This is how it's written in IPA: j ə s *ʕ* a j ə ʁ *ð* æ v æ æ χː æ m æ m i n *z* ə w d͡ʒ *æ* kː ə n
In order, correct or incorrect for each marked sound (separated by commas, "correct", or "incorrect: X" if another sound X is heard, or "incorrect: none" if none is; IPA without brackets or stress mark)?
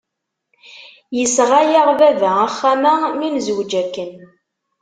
incorrect: ʁ, incorrect: v, correct, correct